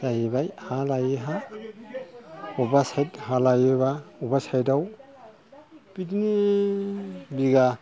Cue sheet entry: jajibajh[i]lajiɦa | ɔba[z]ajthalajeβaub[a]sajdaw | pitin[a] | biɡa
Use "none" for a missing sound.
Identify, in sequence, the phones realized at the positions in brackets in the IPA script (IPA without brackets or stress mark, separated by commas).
a, s, a, i